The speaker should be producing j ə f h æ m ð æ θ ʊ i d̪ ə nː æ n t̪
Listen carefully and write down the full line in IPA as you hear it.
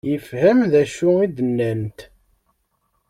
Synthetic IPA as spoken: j ə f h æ m ð æ ʃ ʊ i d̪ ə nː æ n t̪